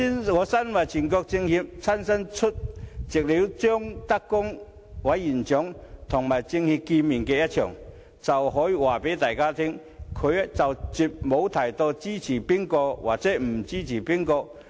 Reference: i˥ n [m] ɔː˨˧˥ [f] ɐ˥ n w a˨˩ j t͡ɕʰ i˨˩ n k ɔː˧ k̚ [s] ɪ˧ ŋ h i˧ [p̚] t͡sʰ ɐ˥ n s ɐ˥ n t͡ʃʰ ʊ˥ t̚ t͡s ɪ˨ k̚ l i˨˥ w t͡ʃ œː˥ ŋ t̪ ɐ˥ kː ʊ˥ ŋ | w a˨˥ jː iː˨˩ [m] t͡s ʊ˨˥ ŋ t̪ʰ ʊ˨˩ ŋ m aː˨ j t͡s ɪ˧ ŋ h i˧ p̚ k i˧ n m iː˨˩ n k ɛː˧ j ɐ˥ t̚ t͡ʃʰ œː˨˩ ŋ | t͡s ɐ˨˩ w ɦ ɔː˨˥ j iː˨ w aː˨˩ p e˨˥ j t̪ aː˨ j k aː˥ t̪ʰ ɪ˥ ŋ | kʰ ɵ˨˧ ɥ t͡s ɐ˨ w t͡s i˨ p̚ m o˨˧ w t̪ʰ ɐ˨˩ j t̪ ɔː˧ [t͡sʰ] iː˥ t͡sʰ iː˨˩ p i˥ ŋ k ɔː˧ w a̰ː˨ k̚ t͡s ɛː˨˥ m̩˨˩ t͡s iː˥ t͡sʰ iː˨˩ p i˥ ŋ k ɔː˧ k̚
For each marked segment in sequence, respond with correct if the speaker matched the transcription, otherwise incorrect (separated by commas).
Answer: incorrect, incorrect, incorrect, correct, incorrect, incorrect